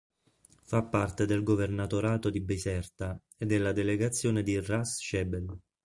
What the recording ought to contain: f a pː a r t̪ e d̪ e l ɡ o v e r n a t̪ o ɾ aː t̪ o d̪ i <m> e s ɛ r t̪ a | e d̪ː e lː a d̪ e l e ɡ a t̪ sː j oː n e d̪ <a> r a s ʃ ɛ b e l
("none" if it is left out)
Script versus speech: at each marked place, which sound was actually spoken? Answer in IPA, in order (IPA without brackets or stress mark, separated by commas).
b, i